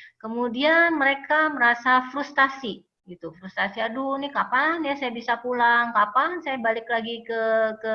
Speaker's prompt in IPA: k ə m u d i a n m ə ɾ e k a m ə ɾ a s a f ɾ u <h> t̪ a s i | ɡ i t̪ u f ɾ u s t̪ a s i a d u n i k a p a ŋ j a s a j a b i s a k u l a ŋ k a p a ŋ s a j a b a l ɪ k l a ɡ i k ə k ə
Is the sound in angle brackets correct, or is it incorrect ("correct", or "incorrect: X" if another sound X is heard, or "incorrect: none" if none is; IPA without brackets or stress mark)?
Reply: incorrect: s